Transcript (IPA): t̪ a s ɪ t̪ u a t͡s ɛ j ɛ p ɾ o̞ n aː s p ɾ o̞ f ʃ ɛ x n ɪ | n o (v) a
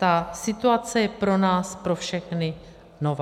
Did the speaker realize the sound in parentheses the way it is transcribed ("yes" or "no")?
yes